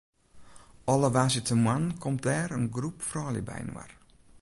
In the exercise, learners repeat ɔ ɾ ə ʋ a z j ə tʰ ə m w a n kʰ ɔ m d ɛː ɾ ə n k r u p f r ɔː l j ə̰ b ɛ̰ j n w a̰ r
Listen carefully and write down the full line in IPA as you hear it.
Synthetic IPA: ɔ l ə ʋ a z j ə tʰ ə m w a n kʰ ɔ m d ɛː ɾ ə n ɡ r u p f r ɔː l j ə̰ b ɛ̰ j n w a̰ r